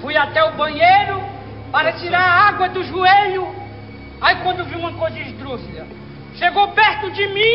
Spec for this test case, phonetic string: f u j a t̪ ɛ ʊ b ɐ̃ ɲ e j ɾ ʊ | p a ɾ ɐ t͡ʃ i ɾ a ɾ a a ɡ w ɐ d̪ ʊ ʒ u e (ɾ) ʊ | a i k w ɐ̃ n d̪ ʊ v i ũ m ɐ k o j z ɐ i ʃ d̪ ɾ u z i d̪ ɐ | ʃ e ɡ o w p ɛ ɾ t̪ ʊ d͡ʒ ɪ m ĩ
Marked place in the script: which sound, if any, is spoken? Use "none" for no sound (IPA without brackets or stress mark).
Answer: ʎ